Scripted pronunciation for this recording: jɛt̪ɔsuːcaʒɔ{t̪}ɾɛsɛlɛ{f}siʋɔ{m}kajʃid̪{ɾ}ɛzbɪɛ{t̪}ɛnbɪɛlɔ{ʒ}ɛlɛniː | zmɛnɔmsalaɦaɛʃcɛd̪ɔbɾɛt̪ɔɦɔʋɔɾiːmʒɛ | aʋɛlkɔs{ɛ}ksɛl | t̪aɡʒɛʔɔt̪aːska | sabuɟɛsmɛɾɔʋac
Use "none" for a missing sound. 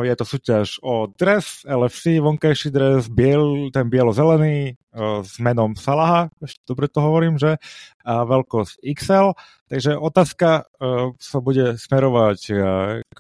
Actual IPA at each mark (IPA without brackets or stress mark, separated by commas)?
d̪, f, ŋ, ɾ, t̪, z, i